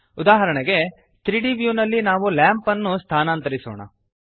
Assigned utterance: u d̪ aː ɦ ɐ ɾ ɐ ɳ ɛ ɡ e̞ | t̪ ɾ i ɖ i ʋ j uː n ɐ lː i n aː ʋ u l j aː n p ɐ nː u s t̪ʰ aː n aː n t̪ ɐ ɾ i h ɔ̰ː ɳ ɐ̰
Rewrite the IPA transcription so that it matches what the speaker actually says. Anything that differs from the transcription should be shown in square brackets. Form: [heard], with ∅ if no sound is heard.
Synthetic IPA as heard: u d̪ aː ɦ ɐ ɾ ɐ ɳ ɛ ɡ e̞ | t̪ ɾ i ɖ i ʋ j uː n ɐ lː i n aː ʋ u l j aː [m] p ɐ nː u s t̪ʰ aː n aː n t̪ ɐ ɾ i [s] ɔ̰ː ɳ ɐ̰